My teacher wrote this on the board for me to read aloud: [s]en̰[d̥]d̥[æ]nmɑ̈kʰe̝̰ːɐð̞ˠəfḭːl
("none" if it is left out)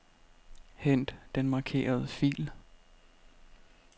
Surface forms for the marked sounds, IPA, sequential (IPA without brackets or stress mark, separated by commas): h, d̥, e